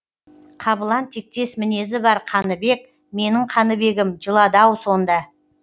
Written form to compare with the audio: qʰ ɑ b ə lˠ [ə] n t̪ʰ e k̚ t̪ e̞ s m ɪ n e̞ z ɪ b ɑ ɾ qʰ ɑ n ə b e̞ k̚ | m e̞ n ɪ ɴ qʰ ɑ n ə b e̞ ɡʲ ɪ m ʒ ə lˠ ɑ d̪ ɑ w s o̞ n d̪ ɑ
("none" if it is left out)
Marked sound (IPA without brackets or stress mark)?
ɑ